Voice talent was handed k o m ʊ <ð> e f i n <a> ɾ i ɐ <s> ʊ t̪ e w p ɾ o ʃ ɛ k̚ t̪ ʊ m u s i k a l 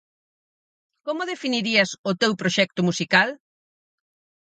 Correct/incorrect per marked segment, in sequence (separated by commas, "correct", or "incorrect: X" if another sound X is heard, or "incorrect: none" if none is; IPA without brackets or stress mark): correct, incorrect: i, correct